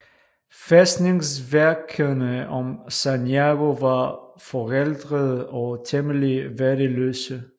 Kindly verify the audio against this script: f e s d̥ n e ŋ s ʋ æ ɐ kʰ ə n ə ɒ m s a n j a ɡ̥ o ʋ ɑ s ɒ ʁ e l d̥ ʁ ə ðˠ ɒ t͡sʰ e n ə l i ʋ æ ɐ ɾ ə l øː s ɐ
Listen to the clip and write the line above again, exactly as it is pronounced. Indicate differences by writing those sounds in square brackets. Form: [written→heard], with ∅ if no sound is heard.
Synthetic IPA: f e s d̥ n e ŋ s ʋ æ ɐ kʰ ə n ə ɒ m s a n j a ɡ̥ o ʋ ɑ [s→f] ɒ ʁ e l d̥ ʁ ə ðˠ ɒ t͡sʰ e [n→m] ə l i ʋ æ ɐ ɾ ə l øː s [ɐ→ə]